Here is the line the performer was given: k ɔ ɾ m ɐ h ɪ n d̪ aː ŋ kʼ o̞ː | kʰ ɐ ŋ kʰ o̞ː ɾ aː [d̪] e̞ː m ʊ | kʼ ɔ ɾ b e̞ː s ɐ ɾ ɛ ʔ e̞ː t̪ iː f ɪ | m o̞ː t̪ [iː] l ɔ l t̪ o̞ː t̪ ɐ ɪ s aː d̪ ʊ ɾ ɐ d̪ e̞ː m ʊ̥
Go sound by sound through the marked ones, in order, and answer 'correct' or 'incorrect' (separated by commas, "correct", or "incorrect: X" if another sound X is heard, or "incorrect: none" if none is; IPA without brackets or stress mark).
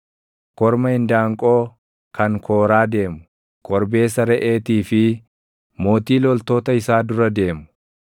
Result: correct, correct